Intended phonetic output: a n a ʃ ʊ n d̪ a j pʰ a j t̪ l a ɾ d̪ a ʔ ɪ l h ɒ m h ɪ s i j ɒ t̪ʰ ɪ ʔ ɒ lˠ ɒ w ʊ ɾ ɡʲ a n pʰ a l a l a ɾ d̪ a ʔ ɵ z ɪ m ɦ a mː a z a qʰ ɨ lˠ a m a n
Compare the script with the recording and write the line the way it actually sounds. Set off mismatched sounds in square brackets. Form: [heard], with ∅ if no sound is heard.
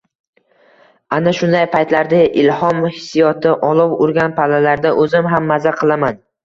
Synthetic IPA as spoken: a n a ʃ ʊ n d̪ a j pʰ a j t̪ l a ɾ d̪ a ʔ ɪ l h ɒ m h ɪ s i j ɒ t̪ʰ ɪ ʔ ɒ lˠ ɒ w ʊ ɾ ɡʲ a n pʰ a l a l a ɾ d̪ a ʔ ɵ z ɪ m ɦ a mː a z a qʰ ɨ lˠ a m a n